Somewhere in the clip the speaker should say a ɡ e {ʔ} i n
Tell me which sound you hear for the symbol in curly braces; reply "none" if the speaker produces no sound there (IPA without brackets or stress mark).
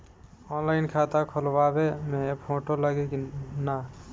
k